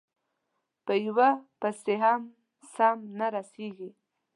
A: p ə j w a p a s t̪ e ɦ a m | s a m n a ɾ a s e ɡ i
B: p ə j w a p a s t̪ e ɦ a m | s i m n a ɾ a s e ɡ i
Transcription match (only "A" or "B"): A